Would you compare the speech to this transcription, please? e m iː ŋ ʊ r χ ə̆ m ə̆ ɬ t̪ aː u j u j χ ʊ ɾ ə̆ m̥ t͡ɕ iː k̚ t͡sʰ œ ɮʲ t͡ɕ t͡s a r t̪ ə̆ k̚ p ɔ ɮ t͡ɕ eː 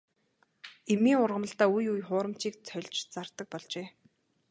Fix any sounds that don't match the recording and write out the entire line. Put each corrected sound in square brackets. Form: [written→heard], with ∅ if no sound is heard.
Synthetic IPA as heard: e m iː ŋ ʊ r [χ→ʁ] ə̆ m ə̆ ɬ t̪ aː u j u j χ [ʊ→ʊː] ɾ ə̆ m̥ t͡ɕ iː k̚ t͡sʰ œ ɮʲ t͡ɕ t͡s a r t̪ ə̆ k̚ p ɔ ɮ t͡ɕ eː